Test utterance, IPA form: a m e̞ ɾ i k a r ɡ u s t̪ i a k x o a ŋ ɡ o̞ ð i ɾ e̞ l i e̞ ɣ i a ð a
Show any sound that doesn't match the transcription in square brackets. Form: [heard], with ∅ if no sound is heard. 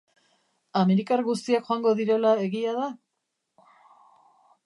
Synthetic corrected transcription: a m e̞ ɾ i k a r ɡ u s t̪ i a k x o a ŋ ɡ o̞ ð i ɾ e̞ l [a] e̞ ɣ i a ð a